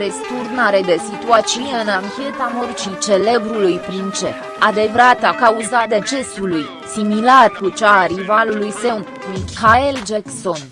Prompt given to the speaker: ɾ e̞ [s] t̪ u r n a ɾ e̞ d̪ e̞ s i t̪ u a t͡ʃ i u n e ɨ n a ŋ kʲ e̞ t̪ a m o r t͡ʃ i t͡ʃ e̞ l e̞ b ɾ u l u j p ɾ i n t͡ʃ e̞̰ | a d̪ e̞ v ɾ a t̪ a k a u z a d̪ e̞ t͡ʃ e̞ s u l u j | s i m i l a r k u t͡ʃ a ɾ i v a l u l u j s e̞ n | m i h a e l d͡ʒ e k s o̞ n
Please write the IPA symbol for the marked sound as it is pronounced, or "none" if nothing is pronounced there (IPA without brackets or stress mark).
s